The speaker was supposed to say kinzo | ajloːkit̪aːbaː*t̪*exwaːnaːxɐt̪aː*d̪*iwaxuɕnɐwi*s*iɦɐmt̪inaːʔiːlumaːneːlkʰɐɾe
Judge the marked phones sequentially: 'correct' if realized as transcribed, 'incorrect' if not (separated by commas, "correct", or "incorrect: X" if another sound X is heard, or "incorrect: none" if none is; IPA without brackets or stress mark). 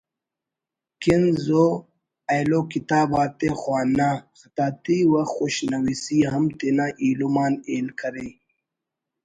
correct, incorrect: t̪, correct